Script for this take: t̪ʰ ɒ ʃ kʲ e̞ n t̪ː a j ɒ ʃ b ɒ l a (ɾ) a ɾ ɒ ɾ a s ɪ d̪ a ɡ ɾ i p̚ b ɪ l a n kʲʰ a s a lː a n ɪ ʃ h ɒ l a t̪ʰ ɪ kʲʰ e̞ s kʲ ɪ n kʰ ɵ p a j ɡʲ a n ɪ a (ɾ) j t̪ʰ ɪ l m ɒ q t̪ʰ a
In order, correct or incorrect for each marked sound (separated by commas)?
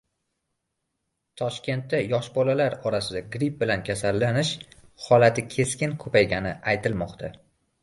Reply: incorrect, incorrect